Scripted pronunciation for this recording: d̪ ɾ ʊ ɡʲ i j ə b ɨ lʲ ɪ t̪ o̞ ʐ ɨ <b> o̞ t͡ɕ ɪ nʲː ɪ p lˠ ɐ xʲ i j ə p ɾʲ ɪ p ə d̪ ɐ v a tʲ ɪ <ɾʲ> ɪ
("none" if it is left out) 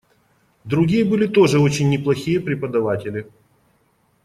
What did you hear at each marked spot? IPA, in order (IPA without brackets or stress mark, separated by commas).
none, lʲ